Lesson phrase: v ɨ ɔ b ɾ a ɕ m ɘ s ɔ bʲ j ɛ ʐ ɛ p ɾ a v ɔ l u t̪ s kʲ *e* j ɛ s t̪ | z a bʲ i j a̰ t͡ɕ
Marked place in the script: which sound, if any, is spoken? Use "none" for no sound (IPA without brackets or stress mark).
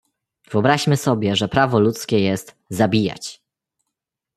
ɛ